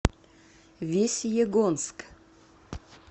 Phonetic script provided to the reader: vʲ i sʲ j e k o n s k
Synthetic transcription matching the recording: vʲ e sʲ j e ɡ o n s k